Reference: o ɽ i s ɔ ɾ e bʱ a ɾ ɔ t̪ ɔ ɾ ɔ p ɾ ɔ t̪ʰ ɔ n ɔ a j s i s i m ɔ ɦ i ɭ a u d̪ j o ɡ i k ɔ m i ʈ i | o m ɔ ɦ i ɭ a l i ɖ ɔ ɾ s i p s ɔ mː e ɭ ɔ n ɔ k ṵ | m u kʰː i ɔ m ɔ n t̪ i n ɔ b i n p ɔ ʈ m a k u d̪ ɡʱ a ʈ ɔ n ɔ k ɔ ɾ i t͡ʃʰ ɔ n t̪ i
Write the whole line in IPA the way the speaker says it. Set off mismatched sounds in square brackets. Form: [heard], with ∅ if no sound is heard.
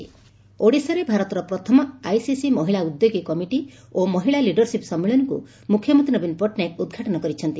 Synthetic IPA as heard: o ɽ i s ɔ ɾ e bʱ a ɾ ɔ t̪ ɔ ɾ ɔ p ɾ ɔ t̪ʰ ɔ [m] ɔ a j s i s i m ɔ ɦ i ɭ a u d̪ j o ɡ i k ɔ m i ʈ i | o m ɔ ɦ i ɭ a l i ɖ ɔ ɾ s i p s ɔ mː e ɭ ɔ n ɔ k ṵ | m u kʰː [j] ɔ m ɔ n t̪ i n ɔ b i n p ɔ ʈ [n] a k u d̪ ɡʱ a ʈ ɔ n ɔ k ɔ ɾ i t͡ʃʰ ɔ n t̪ i